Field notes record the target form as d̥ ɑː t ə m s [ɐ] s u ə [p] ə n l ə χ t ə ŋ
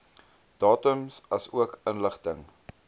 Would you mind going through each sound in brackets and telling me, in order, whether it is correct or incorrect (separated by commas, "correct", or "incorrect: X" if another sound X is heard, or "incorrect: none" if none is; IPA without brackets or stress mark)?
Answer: correct, incorrect: k